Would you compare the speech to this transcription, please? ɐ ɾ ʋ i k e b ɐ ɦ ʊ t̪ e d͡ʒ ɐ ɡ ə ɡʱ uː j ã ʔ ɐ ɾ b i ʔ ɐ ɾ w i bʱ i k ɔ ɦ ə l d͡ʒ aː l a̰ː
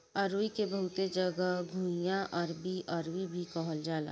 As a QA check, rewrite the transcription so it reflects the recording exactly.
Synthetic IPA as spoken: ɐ ɾ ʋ i k e b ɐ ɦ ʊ t̪ e d͡ʒ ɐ ɡ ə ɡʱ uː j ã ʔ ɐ ɾ b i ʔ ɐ ɾ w i bʱ i k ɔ ɦ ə l d͡ʒ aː l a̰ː